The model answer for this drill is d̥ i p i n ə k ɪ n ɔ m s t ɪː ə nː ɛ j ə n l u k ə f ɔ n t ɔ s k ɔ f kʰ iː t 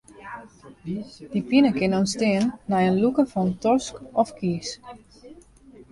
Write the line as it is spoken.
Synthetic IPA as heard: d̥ i p i n ə k ɪ n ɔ n s t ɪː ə nː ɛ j ə n l u k ə f ɔ n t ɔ s k ɔ f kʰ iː s